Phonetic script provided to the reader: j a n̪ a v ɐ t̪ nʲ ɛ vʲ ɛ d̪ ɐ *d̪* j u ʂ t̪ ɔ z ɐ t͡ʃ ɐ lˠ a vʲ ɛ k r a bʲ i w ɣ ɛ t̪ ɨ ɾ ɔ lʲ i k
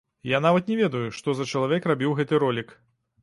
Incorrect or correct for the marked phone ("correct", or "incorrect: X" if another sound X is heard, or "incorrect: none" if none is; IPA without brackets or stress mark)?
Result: incorrect: none